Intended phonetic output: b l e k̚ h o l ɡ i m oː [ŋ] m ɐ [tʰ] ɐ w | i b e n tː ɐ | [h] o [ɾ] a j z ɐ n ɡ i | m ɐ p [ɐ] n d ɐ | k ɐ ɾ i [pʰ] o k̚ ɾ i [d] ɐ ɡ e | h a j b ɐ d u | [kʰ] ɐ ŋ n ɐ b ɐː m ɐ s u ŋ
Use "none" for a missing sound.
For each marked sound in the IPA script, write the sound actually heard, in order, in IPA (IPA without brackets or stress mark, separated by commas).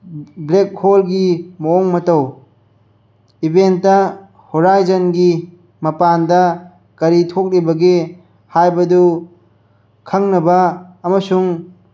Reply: ŋ, t, h, ɾ, a, tʰ, b, kʰ